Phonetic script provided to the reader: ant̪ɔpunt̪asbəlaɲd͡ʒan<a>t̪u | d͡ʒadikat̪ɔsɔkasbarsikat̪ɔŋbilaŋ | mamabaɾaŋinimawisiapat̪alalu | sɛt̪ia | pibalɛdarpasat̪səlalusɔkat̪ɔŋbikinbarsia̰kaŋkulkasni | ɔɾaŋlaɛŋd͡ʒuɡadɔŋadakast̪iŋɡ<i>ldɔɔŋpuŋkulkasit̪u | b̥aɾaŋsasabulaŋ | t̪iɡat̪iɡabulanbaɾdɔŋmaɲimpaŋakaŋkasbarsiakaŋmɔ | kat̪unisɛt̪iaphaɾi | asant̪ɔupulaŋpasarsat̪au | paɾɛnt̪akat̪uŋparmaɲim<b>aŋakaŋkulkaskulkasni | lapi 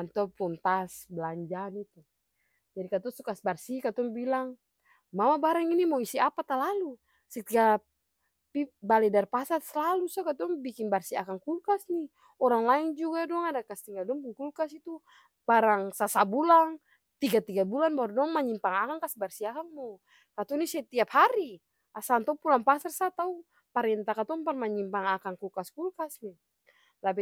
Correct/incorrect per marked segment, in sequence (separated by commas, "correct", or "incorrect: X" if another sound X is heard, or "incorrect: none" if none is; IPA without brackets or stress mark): incorrect: i, incorrect: a, incorrect: p